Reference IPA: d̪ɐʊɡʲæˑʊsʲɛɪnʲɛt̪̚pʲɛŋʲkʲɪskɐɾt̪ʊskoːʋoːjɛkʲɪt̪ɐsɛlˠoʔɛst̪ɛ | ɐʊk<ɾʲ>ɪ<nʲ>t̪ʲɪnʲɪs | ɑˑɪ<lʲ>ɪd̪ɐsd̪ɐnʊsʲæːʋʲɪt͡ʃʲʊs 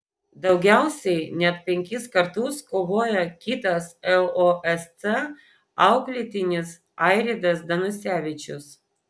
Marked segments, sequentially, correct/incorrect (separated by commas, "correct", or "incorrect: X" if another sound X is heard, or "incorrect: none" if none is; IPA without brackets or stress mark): incorrect: lʲ, incorrect: none, incorrect: ɾʲ